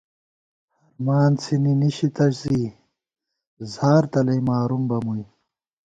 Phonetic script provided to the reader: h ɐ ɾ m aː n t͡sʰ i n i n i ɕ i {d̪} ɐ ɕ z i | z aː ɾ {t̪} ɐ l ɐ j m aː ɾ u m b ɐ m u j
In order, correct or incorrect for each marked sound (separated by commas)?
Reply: incorrect, correct